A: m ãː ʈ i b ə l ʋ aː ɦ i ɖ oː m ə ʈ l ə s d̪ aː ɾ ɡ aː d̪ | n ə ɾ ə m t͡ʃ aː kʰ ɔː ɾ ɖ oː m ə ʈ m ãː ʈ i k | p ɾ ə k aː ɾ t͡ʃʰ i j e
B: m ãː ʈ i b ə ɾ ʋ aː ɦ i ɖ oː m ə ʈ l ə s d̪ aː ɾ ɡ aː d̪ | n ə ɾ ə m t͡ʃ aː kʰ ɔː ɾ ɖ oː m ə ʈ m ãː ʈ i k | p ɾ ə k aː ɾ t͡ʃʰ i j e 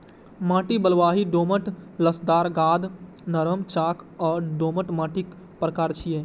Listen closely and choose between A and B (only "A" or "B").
A